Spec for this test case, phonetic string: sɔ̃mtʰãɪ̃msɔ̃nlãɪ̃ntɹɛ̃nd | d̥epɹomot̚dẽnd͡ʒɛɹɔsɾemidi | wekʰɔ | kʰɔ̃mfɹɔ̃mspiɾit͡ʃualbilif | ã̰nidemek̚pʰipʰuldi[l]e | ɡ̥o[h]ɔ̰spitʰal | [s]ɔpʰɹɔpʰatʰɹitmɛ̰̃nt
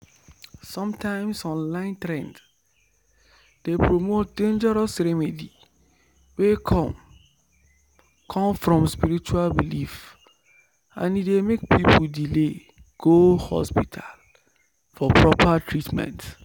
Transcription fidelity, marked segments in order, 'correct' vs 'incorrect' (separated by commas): correct, correct, incorrect